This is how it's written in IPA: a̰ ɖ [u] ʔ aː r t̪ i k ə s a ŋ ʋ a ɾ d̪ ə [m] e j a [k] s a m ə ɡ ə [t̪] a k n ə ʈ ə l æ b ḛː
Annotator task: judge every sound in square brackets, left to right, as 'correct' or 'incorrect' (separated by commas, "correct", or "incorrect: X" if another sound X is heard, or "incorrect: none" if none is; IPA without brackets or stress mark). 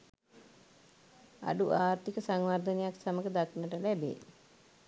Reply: correct, incorrect: n, correct, incorrect: d̪